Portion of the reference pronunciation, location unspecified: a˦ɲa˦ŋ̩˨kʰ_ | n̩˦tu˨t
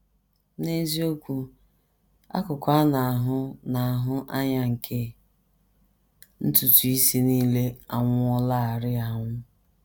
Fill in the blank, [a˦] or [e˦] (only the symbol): e˦